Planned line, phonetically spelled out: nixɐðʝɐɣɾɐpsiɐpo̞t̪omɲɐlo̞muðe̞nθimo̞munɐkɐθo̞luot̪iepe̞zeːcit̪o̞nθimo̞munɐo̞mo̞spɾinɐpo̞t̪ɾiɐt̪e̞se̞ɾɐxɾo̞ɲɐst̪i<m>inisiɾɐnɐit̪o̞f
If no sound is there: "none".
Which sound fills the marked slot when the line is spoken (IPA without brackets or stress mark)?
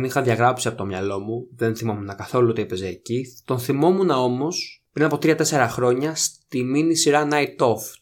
m